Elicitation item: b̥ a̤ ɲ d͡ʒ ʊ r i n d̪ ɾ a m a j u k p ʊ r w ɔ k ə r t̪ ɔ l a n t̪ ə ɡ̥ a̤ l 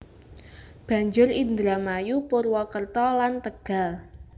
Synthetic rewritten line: b̥ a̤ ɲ d͡ʒ ʊ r i n d̪ ɾ a m a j u p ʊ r w ɔ k ə r t̪ ɔ l a n t̪ ə ɡ̥ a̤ l